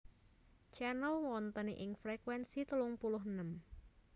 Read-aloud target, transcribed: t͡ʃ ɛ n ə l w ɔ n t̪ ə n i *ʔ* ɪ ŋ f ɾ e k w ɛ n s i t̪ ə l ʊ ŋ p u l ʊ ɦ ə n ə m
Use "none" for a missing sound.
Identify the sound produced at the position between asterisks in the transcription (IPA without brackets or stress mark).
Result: ʔ